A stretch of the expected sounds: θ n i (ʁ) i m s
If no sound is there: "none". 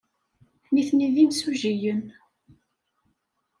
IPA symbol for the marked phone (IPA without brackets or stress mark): ð